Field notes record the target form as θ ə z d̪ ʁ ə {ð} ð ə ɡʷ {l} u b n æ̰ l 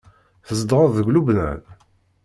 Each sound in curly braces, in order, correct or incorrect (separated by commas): correct, correct